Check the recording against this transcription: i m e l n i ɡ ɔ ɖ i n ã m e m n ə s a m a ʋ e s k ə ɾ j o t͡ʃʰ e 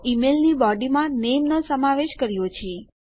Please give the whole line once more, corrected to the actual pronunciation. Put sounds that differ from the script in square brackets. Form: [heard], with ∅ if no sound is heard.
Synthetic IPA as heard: i m e l n i [b] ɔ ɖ i [m] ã [n] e m n ə s [ə] m a ʋ e [ʃ] k ə ɾ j o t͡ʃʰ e